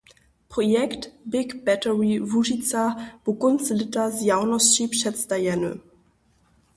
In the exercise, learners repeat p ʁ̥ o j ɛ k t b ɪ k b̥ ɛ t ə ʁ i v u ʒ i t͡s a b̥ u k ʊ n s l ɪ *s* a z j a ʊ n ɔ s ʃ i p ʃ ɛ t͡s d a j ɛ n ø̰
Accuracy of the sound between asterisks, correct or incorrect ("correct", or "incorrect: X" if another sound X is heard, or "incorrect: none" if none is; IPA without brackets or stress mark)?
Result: incorrect: t